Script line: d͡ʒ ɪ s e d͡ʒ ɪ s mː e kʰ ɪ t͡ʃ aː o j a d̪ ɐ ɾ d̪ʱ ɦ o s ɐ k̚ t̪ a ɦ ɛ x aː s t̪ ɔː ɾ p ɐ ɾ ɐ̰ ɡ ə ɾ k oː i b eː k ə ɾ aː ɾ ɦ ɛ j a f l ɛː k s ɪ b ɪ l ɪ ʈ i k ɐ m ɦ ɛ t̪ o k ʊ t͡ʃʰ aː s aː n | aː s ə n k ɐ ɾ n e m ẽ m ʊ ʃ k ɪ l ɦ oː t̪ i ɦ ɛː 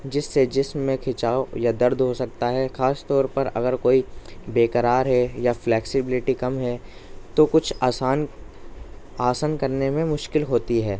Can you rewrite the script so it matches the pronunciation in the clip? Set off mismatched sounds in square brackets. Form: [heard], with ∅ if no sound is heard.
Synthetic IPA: d͡ʒ ɪ [sː] e d͡ʒ ɪ s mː [ẽ] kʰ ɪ t͡ʃ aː o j a d̪ ɐ ɾ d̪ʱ ɦ o s ɐ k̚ t̪ a ɦ ɛ x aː s t̪ ɔː ɾ p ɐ ɾ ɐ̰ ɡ ə ɾ k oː i b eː k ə ɾ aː ɾ ɦ ɛ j a f l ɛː k s ɪ b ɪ l ɪ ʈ i k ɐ m ɦ ɛ t̪ o k ʊ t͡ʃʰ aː s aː n | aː s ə n k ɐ ɾ n e m ẽ m ʊ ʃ k ɪ l ɦ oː t̪ i ɦ ɛː